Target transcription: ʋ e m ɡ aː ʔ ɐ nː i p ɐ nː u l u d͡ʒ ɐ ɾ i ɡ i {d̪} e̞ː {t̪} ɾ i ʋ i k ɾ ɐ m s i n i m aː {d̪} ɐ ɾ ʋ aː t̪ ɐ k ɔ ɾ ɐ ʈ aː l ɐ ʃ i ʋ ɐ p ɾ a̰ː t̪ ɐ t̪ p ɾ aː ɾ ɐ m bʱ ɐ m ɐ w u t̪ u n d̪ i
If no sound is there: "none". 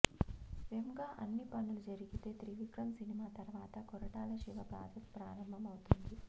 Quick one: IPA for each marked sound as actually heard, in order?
t̪, t̪, t̪

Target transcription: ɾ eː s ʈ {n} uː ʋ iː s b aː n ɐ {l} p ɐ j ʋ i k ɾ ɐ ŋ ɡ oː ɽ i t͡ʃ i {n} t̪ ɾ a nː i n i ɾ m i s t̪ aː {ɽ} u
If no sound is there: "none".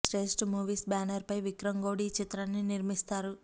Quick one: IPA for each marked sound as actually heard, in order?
m, ɾ, none, ɾ

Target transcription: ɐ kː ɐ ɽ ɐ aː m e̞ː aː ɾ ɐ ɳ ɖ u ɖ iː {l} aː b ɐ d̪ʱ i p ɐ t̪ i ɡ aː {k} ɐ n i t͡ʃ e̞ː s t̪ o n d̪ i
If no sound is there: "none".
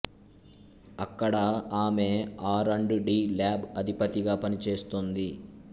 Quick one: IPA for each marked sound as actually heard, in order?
l, p

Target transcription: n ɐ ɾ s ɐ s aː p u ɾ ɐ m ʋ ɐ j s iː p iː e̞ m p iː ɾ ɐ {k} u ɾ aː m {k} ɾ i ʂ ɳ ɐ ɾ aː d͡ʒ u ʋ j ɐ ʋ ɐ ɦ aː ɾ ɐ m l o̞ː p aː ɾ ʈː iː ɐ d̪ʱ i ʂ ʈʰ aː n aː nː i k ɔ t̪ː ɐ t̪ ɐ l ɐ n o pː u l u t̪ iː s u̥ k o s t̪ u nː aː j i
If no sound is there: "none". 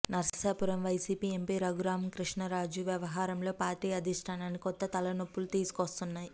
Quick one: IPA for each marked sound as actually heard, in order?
ɡ, k

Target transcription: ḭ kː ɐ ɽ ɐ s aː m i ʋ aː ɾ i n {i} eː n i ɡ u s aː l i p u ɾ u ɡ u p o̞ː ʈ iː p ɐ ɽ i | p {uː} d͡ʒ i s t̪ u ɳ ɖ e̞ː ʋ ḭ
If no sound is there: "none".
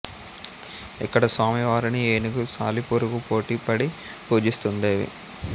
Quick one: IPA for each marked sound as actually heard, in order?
i, uː

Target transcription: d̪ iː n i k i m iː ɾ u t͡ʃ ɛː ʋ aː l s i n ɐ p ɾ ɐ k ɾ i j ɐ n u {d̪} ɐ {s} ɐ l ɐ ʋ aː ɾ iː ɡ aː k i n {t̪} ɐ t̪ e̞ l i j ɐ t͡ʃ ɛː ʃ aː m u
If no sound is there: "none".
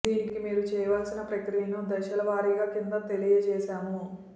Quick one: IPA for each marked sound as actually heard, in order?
d̪, ʃ, d̪

